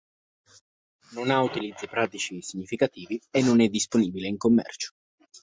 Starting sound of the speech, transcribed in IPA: n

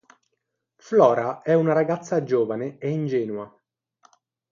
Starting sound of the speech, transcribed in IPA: f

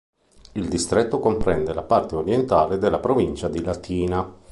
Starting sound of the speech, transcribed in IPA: i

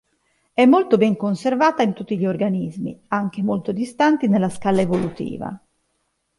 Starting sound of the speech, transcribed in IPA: ɛ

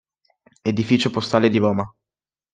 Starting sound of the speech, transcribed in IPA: e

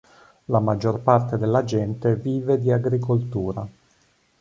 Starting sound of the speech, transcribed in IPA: l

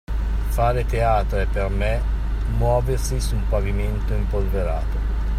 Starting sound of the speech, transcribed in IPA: f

